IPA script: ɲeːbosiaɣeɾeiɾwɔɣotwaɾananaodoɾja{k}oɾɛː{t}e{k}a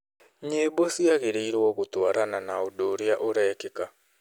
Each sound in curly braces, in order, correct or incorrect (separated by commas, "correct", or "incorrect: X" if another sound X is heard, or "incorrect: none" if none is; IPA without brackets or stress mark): incorrect: ʔ, incorrect: k, correct